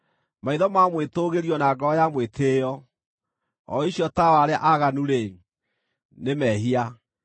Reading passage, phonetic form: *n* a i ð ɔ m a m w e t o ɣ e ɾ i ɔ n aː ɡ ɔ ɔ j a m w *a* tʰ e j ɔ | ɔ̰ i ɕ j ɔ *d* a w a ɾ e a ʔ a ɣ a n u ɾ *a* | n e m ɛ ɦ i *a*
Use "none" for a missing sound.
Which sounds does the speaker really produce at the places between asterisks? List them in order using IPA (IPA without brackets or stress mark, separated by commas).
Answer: m, e, t, e, a